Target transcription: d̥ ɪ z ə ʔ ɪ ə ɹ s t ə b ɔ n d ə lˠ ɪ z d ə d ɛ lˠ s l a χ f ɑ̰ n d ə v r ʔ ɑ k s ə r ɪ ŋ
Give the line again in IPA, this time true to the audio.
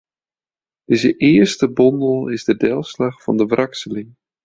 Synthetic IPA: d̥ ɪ z ə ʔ ɪ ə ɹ s t ə b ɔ n d ə lˠ ɪ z d ə d ɛ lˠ s l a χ f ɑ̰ n d ə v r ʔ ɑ k s ə l ɪ ŋ